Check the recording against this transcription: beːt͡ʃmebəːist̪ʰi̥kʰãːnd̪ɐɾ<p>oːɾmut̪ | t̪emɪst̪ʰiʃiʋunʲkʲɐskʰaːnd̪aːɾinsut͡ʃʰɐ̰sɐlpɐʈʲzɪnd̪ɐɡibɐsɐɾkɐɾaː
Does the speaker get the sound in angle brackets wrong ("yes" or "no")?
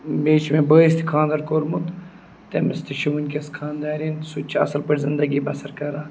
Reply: yes